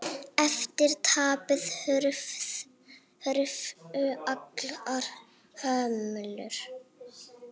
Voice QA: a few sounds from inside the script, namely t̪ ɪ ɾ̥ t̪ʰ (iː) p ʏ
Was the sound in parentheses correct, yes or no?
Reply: no